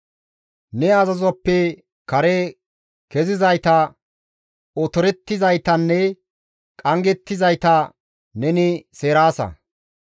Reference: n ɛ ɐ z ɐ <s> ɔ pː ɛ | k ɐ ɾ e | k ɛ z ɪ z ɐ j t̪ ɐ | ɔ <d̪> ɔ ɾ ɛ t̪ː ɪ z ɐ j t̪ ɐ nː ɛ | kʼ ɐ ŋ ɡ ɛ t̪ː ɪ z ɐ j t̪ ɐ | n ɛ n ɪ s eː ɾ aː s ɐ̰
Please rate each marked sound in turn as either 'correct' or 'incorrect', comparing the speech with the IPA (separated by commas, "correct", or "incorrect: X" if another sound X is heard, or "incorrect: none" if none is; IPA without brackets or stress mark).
incorrect: z, incorrect: t̪